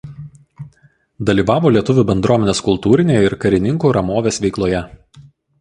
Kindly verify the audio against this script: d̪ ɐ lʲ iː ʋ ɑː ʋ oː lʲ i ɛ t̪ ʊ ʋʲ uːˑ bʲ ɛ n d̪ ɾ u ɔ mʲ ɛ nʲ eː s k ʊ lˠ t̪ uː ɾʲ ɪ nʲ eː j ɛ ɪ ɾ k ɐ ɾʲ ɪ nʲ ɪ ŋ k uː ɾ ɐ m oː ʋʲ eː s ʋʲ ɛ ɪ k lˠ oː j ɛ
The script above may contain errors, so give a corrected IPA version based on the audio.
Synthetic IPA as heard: d̪ ɐ lʲ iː ʋ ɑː ʋ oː lʲ i ɛ t̪ ʊ ʋʲ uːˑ bʲ ɛ n d̪ ɾ u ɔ mʲ ɛ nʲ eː s k ʊ lˠ t̪ uː ɾʲ ɪ nʲ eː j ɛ ɪ ɾ k ɐ ɾʲ ɪ nʲ ɪ ŋ k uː ɾ ɐ m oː ʋʲ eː s ʋʲ ɛ ɪ k lˠ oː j ɛ